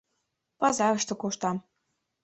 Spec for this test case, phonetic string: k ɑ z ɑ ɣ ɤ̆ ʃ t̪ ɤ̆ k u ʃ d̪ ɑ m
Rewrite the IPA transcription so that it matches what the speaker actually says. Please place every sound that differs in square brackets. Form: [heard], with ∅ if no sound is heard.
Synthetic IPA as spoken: [p] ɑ z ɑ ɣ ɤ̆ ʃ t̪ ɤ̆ k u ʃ [t̪] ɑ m